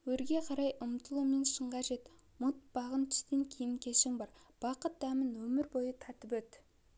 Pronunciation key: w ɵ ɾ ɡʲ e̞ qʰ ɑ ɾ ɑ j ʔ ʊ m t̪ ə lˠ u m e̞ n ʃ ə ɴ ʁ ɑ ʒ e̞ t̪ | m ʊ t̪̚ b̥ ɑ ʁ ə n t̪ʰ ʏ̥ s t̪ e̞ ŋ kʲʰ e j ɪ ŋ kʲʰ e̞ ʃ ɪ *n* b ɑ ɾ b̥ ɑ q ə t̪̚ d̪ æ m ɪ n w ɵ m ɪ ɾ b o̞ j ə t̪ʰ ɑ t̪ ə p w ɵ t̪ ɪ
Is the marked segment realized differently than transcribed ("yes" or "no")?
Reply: yes